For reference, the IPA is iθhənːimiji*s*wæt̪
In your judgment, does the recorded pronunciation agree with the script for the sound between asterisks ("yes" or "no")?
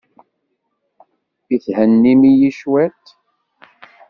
no